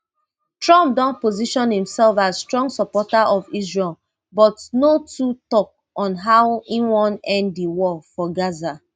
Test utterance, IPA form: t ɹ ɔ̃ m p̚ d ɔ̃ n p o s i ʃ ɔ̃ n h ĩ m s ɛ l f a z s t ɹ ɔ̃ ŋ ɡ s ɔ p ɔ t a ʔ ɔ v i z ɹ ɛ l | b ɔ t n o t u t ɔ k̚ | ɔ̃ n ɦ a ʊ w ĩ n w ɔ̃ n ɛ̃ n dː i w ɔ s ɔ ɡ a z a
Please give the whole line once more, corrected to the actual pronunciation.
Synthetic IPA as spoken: t ɹ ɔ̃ m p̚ d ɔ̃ n p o z i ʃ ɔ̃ n h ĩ m s ɛ l f a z s t ɹ ɔ̃ ŋ ɡ s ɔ p ɔ t a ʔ ɔ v i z ɹ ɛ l | b ɔ t n o t u t ɔ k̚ | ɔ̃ n ɦ a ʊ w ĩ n w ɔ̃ n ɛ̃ n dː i w ɔ f ɔ ɡ a z a